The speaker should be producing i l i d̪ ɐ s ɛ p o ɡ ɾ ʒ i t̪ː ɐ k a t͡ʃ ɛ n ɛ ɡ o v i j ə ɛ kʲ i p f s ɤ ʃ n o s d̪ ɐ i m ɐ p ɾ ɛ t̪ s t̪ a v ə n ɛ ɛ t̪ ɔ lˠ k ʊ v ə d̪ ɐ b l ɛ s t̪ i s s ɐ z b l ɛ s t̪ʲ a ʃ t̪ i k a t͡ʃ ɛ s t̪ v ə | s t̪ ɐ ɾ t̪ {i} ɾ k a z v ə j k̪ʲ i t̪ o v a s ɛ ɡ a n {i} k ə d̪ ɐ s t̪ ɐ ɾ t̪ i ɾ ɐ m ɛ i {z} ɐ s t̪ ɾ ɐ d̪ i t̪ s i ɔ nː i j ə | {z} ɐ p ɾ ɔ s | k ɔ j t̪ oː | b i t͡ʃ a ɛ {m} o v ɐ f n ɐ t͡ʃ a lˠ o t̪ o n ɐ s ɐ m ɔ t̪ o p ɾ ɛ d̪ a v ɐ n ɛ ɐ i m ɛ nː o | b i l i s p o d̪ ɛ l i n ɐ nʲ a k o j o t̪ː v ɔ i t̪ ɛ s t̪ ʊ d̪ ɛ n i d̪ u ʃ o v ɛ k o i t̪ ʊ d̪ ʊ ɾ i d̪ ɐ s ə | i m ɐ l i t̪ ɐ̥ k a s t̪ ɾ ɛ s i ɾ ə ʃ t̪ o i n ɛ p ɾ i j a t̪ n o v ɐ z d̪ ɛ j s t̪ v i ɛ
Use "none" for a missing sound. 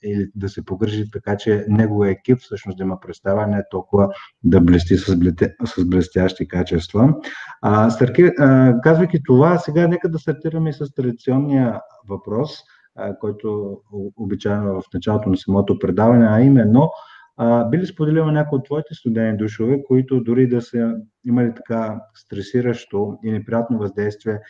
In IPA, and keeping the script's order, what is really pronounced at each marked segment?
i, ɛ, s, v, n

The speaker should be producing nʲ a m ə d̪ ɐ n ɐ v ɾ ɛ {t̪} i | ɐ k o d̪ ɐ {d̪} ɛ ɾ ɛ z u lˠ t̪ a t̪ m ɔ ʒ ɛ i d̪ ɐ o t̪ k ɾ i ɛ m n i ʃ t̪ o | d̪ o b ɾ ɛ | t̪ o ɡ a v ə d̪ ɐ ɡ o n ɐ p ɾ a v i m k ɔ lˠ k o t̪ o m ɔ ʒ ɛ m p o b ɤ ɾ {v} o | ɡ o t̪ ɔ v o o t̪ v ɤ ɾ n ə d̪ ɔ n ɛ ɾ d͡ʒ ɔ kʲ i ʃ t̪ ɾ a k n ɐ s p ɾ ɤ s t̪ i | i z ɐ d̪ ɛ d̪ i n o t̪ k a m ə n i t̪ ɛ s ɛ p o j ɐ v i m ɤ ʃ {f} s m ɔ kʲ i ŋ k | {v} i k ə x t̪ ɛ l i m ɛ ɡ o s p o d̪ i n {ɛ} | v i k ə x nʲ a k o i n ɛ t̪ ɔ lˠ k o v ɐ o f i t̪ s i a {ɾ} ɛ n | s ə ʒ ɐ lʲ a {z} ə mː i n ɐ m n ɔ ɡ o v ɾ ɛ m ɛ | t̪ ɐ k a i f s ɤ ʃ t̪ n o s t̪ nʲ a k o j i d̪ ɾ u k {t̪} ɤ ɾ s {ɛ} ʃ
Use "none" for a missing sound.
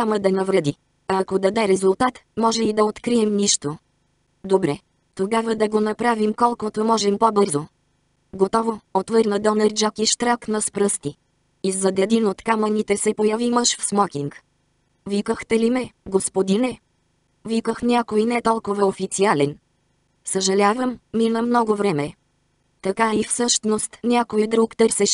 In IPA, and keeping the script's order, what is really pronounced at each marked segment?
d̪, d̪, z, f, v, ɛ, l, v, t̪, ɛ

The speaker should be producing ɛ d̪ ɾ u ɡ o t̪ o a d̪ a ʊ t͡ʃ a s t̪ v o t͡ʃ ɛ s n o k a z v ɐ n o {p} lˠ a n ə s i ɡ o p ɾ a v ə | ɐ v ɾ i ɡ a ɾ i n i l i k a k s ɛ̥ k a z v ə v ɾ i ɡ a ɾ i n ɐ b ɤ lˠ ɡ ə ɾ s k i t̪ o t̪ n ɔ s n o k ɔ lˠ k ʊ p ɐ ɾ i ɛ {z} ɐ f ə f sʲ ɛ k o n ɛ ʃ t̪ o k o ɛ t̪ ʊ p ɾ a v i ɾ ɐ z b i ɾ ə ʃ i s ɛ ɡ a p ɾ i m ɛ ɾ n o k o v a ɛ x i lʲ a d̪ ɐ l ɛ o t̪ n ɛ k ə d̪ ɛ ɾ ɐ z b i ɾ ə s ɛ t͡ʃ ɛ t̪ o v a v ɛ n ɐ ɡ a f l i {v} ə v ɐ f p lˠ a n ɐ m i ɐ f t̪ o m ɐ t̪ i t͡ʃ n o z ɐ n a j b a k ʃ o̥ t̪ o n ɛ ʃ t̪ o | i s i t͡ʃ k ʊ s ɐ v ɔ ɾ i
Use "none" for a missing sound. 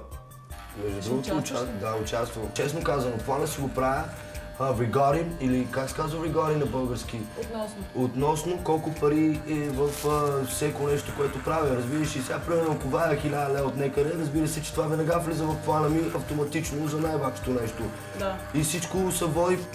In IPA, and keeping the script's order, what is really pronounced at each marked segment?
p, v, z

